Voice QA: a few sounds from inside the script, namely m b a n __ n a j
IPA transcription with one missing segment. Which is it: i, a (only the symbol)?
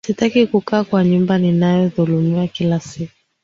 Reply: i